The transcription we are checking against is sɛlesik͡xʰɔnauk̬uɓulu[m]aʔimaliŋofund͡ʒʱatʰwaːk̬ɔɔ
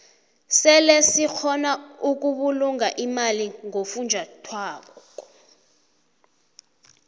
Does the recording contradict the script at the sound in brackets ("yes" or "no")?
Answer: yes